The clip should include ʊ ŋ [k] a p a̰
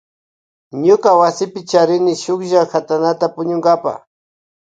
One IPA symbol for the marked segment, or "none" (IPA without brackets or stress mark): ɡ